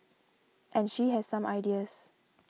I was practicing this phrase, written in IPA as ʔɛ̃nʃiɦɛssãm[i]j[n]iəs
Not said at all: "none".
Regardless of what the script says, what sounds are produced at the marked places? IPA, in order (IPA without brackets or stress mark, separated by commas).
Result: a, d